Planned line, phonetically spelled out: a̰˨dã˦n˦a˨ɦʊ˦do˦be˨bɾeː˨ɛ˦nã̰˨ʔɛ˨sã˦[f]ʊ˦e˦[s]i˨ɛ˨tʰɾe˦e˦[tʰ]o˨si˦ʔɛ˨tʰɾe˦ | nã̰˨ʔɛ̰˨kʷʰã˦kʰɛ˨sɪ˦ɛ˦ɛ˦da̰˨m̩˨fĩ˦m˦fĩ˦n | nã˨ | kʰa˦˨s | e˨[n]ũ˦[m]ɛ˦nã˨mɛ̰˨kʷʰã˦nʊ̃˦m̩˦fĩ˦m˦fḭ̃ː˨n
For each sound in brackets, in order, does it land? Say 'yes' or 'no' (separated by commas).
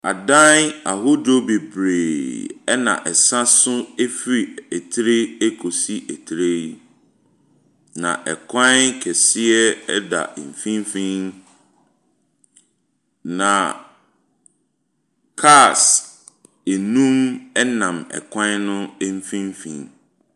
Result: no, no, no, yes, yes